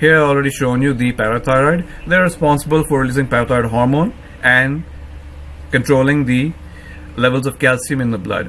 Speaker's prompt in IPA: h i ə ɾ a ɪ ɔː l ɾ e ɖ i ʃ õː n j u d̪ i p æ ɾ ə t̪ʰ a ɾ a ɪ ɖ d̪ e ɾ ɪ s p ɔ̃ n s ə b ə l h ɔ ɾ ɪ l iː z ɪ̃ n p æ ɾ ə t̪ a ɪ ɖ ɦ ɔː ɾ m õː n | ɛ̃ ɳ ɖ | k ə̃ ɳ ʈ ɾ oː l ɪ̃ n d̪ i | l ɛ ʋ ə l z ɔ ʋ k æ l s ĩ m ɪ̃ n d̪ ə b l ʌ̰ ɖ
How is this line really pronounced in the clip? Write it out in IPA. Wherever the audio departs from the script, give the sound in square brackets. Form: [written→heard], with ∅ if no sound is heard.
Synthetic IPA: h i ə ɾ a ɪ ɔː l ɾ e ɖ i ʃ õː n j u d̪ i p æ ɾ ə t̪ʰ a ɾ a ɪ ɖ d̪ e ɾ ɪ s p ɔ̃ n s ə b ə l [h→f] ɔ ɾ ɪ l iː z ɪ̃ [n→ŋ] p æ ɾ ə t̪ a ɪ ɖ ɦ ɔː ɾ m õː n | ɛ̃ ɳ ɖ | k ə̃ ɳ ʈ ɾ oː l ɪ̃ [n→ŋ] d̪ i | l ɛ ʋ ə l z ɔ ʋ k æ l s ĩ m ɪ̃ n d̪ ə b l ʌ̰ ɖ